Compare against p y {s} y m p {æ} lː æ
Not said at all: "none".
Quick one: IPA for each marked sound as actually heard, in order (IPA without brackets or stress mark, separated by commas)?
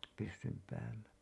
sː, æː